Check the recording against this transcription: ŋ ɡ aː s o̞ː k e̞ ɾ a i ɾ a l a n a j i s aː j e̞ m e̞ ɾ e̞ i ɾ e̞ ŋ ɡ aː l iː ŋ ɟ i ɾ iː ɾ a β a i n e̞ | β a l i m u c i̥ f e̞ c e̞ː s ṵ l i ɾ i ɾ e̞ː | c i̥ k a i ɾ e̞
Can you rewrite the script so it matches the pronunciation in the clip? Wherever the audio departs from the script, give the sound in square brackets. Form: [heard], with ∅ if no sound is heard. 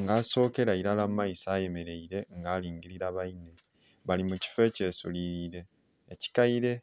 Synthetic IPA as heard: ŋ ɡ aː s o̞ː k e̞ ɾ a i ɾ a l a [m] a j i s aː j e̞ m e̞ ɾ e̞ i ɾ e̞ ŋ ɡ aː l iː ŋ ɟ i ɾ [i] ɾ a β a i n e̞ | β a l i m u c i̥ f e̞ c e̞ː s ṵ l i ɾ i ɾ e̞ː | c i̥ k a i ɾ e̞